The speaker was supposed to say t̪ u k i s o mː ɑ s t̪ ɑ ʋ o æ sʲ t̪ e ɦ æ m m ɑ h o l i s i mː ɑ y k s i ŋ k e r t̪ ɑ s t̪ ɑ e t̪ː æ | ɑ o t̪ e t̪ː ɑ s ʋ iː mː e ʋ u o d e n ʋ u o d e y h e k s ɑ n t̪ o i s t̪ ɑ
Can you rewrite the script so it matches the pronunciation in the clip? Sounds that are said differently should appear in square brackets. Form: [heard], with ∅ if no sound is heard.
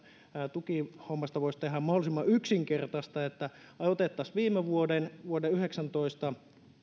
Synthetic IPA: t̪ u k i [h] o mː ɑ s t̪ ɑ ʋ o [i] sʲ t̪ e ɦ æ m m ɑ h o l i s i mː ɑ y k s i ŋ k e r t̪ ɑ s t̪ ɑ e t̪ː æ | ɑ o t̪ e t̪ː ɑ s ʋ iː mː e ʋ u o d e n ʋ u o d e y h e k s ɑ n t̪ o i s t̪ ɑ